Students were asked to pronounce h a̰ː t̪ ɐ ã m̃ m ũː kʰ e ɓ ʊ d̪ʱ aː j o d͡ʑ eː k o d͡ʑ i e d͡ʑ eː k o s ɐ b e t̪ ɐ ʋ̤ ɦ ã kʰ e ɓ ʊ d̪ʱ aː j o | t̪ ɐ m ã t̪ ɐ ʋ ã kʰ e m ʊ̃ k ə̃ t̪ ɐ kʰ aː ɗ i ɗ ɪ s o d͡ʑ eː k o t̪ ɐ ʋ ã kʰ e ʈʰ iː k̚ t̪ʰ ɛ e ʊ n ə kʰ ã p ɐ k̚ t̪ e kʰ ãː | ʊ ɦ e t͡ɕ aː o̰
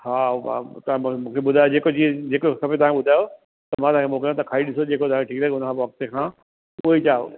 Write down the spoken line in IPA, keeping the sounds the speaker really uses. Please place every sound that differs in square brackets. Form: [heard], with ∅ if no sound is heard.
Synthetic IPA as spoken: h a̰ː t̪ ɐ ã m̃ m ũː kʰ e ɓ ʊ d̪ʱ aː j o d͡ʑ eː k o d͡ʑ i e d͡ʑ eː k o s ɐ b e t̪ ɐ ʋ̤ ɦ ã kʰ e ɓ ʊ d̪ʱ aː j o | t̪ ɐ m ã t̪ ɐ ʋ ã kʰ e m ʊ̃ k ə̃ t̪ ɐ kʰ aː [∅] i ɗ ɪ s o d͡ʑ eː k o t̪ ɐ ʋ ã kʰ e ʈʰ iː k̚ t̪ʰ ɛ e ʊ n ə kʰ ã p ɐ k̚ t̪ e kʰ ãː | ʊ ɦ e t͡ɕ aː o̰